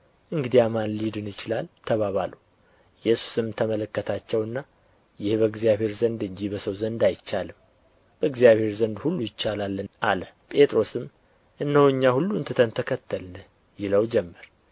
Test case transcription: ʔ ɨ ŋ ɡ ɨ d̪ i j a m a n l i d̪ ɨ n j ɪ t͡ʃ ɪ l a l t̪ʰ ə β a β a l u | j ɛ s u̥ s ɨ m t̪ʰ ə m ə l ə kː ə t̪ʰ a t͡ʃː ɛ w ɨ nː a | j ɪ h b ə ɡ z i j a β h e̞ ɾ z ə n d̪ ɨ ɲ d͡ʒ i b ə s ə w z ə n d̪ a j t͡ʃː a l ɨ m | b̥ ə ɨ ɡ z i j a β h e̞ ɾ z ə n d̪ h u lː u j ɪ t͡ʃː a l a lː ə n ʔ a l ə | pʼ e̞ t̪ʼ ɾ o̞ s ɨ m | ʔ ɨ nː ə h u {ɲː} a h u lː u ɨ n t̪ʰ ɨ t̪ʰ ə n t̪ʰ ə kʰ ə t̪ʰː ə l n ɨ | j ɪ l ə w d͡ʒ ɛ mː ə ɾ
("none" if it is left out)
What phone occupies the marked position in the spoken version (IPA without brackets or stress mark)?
ɲː